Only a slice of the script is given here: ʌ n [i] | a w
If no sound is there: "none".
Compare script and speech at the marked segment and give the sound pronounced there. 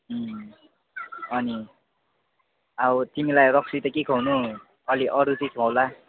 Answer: i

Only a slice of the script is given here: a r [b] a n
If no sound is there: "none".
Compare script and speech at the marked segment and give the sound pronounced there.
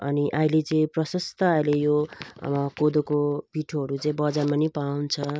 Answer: m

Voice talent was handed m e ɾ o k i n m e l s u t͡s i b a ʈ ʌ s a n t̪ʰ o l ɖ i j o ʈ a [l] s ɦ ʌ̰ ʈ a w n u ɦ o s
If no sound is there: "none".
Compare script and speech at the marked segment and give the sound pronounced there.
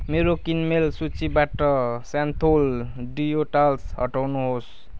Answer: l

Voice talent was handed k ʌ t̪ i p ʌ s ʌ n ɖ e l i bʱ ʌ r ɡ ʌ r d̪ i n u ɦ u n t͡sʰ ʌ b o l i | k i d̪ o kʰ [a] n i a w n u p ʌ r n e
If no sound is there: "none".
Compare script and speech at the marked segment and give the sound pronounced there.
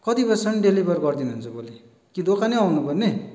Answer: a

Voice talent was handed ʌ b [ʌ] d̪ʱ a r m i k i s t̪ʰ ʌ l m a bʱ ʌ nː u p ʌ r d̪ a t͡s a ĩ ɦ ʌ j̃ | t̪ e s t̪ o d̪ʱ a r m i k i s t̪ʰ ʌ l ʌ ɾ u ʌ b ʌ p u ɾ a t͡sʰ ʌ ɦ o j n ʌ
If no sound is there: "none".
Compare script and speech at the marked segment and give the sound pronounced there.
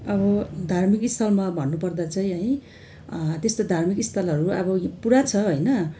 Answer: ʌ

